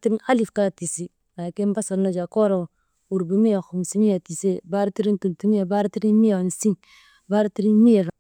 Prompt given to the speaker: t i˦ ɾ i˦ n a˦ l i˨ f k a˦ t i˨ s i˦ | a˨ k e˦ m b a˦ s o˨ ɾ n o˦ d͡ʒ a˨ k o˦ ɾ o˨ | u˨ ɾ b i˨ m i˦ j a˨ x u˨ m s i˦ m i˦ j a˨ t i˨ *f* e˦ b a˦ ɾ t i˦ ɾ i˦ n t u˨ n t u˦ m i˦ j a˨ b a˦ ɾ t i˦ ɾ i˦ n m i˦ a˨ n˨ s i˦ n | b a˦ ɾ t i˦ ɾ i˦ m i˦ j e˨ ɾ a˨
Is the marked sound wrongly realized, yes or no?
yes